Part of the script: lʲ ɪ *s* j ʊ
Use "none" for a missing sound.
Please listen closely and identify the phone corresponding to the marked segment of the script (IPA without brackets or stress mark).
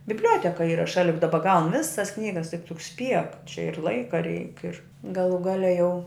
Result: none